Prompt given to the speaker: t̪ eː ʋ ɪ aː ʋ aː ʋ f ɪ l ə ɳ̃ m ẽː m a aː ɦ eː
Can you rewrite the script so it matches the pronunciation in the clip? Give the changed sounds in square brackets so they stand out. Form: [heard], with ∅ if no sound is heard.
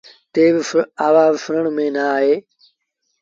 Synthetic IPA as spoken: t̪ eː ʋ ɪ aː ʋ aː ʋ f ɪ [ɾ] ə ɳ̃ m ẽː [n] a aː ɦ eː